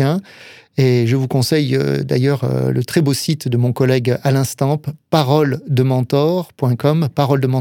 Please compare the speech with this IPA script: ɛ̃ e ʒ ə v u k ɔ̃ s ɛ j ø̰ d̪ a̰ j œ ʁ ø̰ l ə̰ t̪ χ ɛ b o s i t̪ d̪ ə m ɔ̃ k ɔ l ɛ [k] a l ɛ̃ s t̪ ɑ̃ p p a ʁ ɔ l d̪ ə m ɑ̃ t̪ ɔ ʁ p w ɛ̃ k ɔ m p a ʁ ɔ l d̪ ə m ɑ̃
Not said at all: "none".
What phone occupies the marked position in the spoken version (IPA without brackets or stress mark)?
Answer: ɡ